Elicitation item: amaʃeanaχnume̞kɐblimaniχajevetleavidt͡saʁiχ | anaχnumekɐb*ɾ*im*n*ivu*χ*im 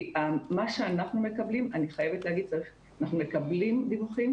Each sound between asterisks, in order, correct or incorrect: incorrect: l, incorrect: d, correct

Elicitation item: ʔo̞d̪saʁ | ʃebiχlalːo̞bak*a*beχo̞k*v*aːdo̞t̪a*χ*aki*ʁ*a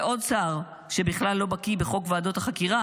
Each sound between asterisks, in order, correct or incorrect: incorrect: i, correct, correct, correct

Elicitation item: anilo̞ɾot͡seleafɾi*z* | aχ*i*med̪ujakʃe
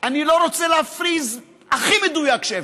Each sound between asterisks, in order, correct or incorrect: correct, correct

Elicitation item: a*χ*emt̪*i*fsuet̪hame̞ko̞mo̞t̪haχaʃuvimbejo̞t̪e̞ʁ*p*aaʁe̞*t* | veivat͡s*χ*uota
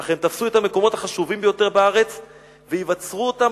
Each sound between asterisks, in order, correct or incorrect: correct, incorrect: a, incorrect: b, incorrect: t͡s, incorrect: ʁ

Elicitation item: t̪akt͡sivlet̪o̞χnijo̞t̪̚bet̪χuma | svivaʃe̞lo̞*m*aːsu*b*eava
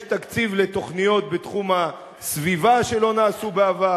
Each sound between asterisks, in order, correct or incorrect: incorrect: n, correct

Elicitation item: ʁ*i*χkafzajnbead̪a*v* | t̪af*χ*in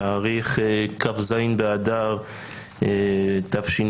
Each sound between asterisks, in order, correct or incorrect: correct, incorrect: ʁ, incorrect: ʃ

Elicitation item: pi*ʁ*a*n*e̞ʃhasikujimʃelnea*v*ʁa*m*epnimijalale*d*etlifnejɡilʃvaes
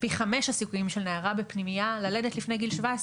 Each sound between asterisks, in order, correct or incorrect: incorrect: χ, incorrect: m, incorrect: none, incorrect: b, correct

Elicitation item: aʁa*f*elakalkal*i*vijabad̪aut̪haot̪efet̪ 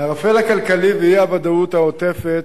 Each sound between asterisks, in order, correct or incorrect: correct, correct

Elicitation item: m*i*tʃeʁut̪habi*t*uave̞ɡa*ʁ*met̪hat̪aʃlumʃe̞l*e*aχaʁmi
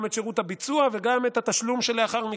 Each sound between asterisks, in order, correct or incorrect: incorrect: e, incorrect: t͡s, incorrect: none, correct

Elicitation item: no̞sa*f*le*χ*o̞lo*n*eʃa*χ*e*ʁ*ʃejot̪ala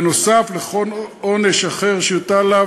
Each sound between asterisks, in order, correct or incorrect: correct, correct, correct, correct, correct

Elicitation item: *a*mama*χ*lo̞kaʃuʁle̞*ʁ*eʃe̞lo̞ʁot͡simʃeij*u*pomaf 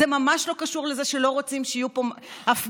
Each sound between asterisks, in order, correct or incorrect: incorrect: e, incorrect: ʃ, incorrect: z, correct

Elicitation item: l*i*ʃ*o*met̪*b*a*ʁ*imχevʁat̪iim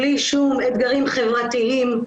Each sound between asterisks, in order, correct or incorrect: correct, incorrect: u, incorrect: ɡ, correct

